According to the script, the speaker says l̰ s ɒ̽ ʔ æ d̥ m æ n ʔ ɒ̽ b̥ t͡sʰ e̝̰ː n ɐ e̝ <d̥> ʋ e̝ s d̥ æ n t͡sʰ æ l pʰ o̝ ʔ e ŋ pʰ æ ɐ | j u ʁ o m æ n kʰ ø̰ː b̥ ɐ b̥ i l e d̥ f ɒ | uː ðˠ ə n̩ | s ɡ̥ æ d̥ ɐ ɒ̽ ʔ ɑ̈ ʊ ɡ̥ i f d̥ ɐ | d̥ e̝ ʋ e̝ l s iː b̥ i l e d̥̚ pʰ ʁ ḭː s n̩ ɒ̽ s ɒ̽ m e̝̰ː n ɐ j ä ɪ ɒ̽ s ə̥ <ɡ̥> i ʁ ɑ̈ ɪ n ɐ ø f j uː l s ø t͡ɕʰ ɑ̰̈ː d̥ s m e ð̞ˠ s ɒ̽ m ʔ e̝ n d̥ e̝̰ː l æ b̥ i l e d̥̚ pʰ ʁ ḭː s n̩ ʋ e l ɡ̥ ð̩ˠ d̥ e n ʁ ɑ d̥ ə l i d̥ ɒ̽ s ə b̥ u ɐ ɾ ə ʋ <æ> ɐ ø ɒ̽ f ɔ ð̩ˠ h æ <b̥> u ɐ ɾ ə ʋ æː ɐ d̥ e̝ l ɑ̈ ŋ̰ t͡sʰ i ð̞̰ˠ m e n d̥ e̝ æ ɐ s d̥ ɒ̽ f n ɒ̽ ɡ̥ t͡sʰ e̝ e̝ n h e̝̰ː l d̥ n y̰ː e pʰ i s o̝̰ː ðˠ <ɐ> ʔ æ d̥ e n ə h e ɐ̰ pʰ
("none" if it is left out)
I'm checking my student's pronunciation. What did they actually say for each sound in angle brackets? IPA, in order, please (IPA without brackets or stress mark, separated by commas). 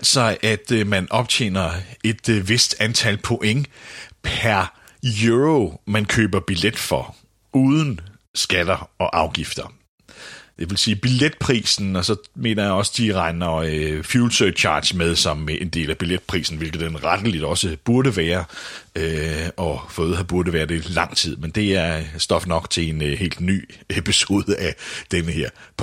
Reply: d̥, d̥, æː, b̥, ə